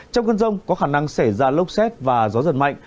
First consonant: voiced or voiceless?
voiceless